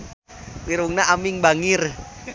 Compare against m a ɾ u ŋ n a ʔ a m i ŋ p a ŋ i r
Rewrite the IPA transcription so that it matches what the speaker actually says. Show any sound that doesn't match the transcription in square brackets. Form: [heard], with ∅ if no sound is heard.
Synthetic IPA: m [i] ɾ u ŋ n a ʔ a m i ŋ [b] a ŋ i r